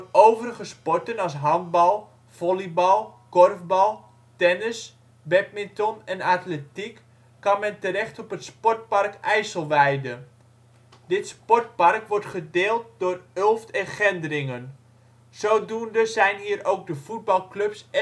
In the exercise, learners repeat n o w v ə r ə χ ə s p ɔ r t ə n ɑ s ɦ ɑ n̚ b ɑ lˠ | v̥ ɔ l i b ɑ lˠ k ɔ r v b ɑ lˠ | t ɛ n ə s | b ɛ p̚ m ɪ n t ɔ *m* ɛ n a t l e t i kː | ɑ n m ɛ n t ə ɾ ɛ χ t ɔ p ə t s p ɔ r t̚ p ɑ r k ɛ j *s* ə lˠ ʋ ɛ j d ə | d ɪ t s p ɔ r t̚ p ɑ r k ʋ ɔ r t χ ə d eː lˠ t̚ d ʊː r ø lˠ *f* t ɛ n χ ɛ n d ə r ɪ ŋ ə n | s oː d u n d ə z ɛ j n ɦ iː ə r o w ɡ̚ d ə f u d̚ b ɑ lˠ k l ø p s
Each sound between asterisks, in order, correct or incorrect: incorrect, correct, correct

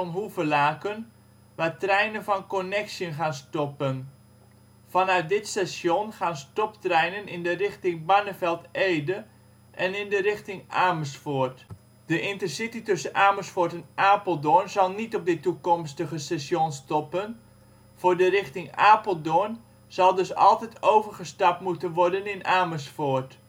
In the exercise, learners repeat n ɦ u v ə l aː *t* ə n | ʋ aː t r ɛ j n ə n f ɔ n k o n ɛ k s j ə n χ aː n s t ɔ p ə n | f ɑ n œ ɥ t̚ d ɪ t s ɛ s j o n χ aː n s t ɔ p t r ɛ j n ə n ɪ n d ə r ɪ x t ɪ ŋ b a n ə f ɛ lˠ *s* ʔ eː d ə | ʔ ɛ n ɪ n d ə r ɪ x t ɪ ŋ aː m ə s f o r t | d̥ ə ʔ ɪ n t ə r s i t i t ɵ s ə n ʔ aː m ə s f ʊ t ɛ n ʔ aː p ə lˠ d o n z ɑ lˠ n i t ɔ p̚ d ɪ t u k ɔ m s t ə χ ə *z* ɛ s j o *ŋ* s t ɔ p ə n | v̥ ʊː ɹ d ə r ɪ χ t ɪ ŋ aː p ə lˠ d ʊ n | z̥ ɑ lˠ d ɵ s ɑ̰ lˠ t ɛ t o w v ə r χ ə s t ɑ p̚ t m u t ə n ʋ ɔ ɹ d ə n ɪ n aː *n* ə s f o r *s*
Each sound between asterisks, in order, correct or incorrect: incorrect, incorrect, incorrect, incorrect, incorrect, incorrect

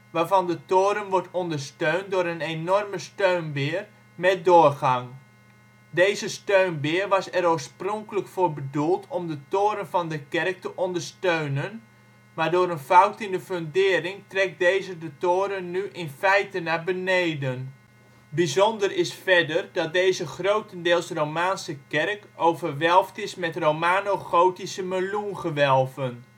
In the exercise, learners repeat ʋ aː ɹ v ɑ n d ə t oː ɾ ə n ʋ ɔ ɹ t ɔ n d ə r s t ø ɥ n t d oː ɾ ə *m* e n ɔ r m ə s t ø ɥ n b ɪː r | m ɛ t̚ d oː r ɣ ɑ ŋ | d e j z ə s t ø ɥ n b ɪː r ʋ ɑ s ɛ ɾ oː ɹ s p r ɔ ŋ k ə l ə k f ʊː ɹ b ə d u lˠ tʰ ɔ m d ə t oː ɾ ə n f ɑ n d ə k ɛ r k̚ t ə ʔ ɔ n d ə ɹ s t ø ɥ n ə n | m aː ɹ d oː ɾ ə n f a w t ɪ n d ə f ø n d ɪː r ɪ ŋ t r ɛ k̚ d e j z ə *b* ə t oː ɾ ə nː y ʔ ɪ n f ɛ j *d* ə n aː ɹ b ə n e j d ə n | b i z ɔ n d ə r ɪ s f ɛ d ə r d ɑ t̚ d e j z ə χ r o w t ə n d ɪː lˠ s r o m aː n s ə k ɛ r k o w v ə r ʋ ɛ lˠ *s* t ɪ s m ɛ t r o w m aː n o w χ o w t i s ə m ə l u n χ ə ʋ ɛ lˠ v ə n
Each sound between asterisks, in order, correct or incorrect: incorrect, incorrect, incorrect, incorrect

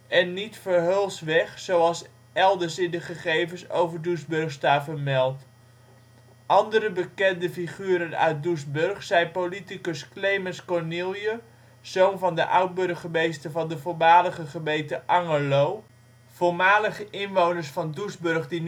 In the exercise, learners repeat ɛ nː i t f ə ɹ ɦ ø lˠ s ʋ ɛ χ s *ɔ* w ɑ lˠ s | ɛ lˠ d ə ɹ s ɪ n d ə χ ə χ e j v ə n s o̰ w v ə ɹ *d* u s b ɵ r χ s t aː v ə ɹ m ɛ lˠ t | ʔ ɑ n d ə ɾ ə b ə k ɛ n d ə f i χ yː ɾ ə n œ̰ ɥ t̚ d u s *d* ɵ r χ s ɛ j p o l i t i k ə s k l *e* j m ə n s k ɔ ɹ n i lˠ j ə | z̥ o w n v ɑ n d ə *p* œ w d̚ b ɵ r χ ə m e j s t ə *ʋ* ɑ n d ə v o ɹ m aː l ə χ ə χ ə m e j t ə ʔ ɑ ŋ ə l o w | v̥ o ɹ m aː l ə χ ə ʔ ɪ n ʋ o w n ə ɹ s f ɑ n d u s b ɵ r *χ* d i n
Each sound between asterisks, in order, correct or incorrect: incorrect, correct, incorrect, correct, incorrect, incorrect, correct

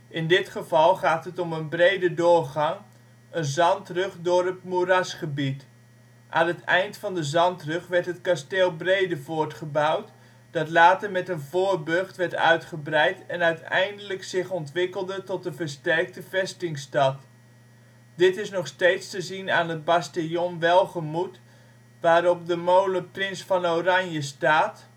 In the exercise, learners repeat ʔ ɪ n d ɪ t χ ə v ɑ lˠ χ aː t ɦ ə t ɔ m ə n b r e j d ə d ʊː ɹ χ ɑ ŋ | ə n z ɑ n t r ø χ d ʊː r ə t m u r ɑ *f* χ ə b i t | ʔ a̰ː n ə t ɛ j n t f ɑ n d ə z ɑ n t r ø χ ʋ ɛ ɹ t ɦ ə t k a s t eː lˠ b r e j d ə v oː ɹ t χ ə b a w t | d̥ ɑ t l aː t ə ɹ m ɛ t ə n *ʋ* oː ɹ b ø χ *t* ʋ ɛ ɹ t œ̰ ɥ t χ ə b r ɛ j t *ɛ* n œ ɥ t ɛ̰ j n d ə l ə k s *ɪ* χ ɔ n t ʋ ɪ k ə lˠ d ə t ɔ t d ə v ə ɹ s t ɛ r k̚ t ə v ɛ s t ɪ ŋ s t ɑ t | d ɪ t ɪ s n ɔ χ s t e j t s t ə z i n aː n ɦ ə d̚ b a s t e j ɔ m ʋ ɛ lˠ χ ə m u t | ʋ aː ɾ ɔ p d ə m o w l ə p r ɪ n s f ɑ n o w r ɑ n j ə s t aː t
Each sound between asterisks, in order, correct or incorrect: incorrect, incorrect, correct, correct, correct

